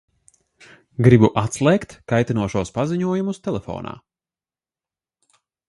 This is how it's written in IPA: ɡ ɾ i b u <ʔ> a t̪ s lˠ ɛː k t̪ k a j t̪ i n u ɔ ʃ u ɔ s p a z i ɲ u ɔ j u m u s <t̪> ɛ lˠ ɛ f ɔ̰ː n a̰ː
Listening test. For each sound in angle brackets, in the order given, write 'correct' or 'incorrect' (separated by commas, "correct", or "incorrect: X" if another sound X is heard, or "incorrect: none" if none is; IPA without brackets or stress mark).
correct, correct